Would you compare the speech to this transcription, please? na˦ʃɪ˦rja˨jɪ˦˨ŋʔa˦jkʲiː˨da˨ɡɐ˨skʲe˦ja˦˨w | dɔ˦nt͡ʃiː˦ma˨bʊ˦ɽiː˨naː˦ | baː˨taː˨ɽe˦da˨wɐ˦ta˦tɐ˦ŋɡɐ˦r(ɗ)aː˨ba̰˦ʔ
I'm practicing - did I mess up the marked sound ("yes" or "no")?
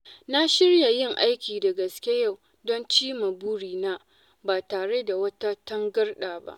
no